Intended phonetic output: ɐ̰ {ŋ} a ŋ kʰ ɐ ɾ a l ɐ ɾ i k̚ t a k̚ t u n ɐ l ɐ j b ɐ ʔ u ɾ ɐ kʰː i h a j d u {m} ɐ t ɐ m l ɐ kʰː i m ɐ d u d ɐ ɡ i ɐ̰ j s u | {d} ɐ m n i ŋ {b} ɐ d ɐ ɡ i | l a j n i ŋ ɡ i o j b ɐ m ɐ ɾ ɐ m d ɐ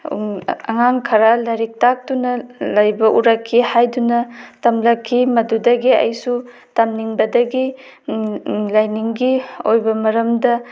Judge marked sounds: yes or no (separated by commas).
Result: yes, no, no, yes